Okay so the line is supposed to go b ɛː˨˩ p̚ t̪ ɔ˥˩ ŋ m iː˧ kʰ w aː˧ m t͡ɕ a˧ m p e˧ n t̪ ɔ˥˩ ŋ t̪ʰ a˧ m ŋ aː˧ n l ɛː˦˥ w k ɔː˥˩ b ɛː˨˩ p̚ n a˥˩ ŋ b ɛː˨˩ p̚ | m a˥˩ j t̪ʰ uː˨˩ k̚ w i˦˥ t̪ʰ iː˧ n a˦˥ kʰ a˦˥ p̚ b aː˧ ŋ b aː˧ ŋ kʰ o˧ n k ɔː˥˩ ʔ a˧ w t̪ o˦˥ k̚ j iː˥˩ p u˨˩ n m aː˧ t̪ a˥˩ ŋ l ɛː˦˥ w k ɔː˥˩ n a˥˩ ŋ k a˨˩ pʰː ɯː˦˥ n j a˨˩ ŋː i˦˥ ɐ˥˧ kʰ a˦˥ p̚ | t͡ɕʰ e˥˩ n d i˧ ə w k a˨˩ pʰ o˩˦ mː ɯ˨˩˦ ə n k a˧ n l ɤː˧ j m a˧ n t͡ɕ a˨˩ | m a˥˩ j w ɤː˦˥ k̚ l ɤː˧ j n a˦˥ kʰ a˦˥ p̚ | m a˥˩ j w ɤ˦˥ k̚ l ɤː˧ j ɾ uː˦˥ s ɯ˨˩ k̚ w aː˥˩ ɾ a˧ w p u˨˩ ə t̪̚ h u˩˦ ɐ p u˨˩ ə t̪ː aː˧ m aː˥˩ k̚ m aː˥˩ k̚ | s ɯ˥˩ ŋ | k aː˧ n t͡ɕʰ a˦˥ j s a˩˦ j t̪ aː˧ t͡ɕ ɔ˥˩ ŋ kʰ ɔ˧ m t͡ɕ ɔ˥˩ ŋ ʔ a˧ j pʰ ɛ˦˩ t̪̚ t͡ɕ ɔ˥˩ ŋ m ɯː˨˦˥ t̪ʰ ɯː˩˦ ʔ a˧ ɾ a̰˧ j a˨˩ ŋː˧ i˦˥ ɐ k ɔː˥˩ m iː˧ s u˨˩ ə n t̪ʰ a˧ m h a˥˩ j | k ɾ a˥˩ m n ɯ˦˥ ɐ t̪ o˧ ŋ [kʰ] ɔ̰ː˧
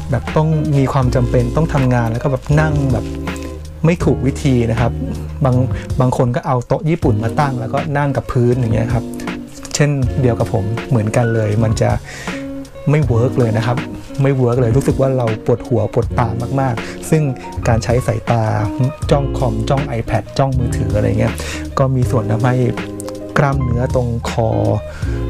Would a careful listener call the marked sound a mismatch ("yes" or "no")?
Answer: no